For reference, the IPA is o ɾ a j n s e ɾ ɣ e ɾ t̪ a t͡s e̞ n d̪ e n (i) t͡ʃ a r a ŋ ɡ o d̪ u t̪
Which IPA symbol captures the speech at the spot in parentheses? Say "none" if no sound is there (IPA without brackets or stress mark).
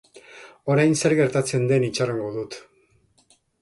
i